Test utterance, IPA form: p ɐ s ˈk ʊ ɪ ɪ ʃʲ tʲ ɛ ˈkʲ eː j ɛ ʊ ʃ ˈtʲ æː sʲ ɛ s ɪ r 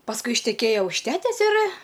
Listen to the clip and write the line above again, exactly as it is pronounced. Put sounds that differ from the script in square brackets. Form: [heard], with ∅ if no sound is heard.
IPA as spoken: p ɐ s ˈk ʊ ɪ ɪ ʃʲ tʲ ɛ ˈkʲ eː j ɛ ʊ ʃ ˈtʲ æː [tʲ] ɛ s ɪ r